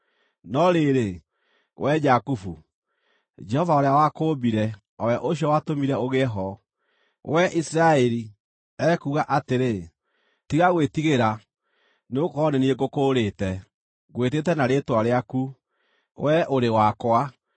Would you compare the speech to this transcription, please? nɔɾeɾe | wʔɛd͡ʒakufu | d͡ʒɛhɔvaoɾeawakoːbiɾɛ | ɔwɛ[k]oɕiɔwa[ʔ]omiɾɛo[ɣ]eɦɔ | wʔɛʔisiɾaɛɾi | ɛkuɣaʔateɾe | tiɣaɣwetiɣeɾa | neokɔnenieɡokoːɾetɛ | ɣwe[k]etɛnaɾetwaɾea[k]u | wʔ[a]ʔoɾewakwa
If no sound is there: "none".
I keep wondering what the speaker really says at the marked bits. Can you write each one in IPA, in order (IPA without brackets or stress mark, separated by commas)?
ʔ, t, ɣ, t, k, ɛ